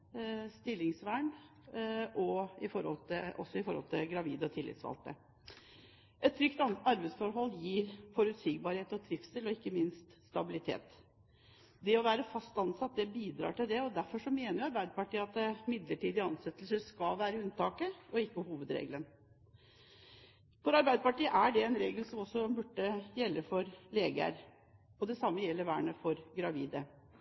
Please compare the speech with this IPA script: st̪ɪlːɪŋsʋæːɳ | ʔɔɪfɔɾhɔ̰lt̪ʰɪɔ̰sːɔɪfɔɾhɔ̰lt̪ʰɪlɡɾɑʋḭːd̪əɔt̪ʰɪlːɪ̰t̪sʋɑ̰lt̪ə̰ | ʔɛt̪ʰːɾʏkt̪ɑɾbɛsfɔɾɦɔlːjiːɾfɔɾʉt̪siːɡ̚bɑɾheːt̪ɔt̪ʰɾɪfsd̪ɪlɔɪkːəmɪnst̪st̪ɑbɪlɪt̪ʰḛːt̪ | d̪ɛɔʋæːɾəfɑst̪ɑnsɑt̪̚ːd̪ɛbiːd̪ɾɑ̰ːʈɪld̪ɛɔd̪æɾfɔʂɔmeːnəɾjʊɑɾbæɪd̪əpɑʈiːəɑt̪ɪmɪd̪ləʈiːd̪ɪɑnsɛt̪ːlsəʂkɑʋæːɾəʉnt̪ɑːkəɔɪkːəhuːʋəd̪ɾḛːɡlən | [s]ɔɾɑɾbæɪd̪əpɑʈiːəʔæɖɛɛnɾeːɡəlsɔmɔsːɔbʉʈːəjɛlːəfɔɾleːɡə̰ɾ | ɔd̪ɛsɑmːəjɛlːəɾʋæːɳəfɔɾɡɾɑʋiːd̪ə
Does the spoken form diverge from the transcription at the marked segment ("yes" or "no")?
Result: yes